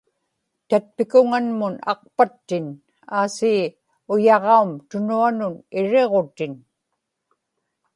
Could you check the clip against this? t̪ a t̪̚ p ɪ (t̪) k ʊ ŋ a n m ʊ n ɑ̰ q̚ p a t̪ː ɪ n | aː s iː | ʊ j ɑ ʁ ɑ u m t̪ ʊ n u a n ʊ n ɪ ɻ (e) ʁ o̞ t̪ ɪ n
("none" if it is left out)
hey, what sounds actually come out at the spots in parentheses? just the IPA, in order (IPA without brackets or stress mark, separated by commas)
none, e